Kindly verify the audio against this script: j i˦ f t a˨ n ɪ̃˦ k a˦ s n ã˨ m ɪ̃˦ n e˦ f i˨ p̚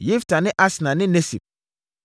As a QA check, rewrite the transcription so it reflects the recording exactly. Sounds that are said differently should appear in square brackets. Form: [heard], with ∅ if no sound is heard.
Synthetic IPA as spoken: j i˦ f t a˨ n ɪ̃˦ [ʔ] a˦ s n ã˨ [n] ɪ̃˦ n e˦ [s] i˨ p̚